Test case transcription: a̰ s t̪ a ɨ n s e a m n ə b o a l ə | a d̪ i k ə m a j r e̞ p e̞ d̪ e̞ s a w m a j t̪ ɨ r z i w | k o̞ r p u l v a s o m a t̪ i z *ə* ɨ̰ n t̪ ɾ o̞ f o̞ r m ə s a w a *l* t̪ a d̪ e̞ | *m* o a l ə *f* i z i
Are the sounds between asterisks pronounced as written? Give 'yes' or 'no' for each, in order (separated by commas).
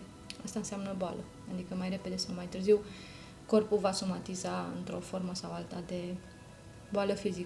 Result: no, yes, no, yes